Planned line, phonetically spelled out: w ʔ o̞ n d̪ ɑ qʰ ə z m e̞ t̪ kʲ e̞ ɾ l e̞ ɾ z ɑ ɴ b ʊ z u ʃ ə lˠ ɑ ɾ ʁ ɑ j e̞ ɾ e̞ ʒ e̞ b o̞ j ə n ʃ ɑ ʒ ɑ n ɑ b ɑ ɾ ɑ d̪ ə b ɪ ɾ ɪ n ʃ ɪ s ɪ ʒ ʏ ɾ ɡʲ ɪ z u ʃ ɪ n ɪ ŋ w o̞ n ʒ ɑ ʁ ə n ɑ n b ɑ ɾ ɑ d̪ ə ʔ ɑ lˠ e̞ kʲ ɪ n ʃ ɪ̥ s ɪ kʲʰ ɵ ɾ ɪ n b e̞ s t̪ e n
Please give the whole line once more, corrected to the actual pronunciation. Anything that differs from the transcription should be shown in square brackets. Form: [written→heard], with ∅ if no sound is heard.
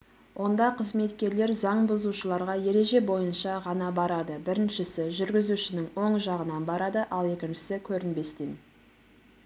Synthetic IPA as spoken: w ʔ o̞ n d̪ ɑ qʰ ə z m e̞ t̪ kʲ e̞ ɾ l e̞ ɾ z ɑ ɴ b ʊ z u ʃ ə lˠ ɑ ɾ ʁ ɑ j e̞ ɾ e̞ ʒ e̞ b o̞ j ə n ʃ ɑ [ʒ→ʁ] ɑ n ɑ b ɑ ɾ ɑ d̪ ə b ɪ ɾ ɪ n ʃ ɪ s ɪ ʒ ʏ ɾ ɡʲ ɪ z u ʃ ɪ n ɪ ŋ w o̞ [n→ɴ] ʒ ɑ ʁ ə n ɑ n b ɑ ɾ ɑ d̪ ə ʔ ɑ lˠ e̞ kʲ ɪ n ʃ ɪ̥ s ɪ kʲʰ ɵ ɾ ɪ n b e̞ s t̪ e n